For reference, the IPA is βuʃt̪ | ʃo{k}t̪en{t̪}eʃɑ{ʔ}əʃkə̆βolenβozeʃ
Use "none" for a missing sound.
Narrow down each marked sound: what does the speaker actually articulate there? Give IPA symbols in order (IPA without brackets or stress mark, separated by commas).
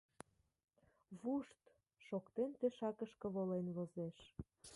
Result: k, t̪, k